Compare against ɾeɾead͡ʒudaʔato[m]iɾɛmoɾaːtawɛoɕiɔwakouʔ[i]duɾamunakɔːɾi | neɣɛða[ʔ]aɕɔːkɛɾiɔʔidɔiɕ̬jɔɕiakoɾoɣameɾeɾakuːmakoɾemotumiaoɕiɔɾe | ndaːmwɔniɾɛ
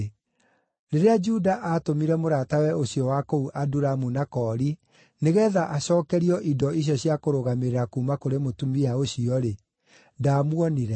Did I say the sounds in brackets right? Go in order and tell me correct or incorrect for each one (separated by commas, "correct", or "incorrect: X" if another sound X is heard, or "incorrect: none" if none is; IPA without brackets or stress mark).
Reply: correct, incorrect: a, correct